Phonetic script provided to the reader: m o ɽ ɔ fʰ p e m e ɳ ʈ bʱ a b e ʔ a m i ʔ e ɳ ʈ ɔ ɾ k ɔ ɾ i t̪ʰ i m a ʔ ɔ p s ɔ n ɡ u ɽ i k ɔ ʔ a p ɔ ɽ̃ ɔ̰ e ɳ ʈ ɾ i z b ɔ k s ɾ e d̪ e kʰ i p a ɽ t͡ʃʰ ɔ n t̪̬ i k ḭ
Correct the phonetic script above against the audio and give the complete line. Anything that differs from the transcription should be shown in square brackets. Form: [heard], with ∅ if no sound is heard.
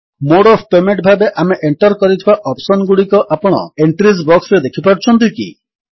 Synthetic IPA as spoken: m o ɽ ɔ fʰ p e m e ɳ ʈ bʱ a b e ʔ a m [e] ʔ e ɳ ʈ ɔ ɾ k ɔ ɾ i t̪ʰ i [b] a ʔ ɔ p s ɔ n ɡ u ɽ i k ɔ ʔ a p ɔ ɽ̃ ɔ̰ e ɳ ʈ ɾ i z b ɔ k s ɾ e d̪ e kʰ i p a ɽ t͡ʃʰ ɔ n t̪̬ i k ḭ